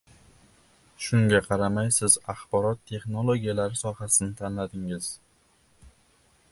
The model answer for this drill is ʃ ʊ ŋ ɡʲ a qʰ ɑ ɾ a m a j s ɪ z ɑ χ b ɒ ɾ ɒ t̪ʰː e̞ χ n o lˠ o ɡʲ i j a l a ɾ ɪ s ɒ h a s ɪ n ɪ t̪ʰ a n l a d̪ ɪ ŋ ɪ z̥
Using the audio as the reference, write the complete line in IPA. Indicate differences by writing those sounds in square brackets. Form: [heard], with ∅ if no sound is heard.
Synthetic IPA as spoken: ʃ ʊ ŋ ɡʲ a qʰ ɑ ɾ a m a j s ɪ z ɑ χ b ɒ ɾ ɒ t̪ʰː e̞ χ n o lˠ o ɡʲ i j a l a ɾ ɪ s ɒ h a s ɪ n ɪ t̪ʰ a n l a d̪ ɪ ŋ ɪ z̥